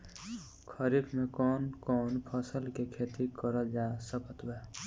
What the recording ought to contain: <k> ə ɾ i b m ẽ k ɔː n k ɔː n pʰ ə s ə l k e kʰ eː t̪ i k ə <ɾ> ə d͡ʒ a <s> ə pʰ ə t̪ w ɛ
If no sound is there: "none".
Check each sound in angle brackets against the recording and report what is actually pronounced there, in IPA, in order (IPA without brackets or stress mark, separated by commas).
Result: kʰ, ɾ, s